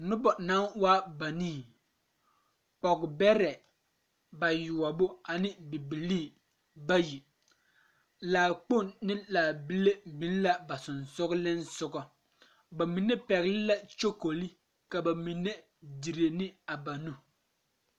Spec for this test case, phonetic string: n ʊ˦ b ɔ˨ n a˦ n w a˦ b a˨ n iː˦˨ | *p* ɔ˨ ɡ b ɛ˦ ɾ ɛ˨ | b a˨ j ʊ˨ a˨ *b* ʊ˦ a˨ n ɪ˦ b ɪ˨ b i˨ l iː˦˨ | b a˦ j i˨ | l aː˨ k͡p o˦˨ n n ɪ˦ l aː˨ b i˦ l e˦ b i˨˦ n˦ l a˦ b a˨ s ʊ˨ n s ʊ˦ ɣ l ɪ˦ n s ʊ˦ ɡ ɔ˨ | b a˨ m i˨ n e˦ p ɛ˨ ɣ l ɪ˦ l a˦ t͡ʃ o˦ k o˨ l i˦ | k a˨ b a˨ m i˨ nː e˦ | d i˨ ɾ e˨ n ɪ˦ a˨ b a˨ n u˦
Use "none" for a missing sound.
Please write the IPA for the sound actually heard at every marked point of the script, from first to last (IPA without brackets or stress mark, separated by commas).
p, b